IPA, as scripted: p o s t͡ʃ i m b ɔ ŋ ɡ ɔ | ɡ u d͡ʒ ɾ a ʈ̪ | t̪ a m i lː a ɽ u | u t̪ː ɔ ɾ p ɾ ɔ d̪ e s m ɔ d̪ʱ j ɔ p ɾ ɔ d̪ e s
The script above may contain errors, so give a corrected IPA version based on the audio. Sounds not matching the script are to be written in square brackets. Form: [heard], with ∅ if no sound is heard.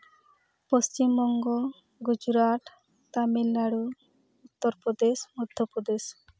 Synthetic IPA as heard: p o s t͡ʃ i m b ɔ ŋ ɡ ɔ | ɡ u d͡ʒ ɾ a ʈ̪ | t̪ a m i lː a ɽ u | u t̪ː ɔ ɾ p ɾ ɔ d̪ e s m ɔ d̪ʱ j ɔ p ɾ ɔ d̪ e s